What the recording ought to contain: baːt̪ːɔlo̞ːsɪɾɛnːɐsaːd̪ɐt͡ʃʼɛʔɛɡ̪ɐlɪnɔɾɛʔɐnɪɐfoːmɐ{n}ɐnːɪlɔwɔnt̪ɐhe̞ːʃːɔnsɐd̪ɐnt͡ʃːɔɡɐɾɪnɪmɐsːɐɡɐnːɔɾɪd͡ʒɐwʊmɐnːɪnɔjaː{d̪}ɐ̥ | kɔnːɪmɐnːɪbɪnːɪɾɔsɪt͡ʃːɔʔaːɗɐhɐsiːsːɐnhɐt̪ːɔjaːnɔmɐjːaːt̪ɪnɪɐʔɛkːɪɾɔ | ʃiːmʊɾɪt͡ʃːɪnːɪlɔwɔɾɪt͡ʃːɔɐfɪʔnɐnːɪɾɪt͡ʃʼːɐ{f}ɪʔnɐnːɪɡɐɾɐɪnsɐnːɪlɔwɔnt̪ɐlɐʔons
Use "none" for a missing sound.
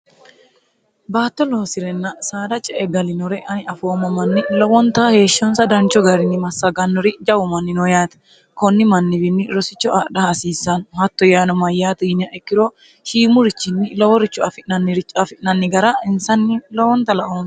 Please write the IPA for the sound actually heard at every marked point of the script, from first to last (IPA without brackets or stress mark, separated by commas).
m, t̪, f